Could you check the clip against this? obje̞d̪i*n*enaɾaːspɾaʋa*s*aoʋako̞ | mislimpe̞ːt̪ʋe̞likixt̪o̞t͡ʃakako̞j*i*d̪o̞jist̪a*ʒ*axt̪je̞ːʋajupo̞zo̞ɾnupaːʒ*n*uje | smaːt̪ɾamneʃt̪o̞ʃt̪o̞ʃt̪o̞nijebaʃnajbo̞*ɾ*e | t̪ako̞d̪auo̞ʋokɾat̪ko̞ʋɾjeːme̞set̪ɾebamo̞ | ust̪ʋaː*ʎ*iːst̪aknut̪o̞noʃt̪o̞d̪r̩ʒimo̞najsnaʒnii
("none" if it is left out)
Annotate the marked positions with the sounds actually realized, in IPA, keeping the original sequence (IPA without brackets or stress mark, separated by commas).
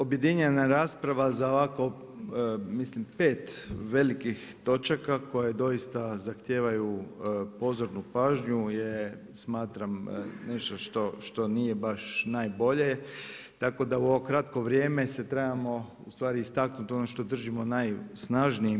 ɲ, z, e, z, ɲ, ʎ, ɾ